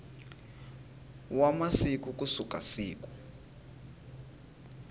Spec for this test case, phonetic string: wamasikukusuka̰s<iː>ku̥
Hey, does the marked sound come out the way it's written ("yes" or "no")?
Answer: yes